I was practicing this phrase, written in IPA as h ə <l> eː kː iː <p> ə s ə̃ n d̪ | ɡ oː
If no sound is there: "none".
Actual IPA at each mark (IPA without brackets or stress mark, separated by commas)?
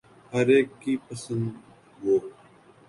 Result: ɾ, p